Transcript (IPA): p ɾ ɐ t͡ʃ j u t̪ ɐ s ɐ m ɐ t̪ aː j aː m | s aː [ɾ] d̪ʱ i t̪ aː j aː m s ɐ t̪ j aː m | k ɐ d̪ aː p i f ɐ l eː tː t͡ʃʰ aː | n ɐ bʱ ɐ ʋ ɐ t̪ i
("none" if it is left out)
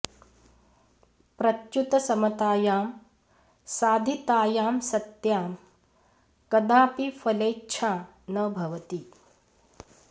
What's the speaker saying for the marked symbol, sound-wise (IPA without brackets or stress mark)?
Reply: none